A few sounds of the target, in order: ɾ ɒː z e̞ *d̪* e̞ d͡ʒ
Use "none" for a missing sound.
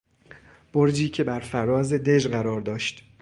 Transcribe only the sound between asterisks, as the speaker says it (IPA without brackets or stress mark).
d̪